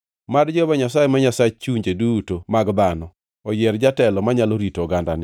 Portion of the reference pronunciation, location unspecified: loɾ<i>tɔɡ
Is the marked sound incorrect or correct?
correct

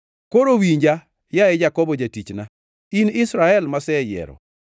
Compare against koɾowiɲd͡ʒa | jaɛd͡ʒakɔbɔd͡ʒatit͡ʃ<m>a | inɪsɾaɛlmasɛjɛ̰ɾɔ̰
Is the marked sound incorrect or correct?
incorrect: n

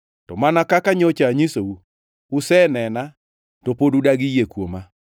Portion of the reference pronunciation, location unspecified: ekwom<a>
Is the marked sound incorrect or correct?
correct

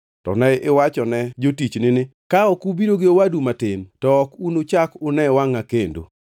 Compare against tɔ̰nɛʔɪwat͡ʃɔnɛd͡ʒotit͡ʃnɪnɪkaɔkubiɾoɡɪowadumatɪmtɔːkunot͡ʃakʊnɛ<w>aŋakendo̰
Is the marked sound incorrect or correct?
correct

